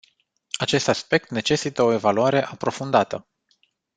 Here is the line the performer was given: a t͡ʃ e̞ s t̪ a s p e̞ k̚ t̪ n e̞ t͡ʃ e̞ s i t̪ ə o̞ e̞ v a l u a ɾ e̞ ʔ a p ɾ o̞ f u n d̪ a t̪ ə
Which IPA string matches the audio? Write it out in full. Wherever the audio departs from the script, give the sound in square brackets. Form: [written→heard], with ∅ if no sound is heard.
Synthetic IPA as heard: a t͡ʃ e̞ s t̪ a s p e̞ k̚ t̪ n e̞ t͡ʃ e̞ s i t̪ ə o̞ e̞ v a l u a ɾ e̞ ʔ a p ɾ o̞ f u n d̪ a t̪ ə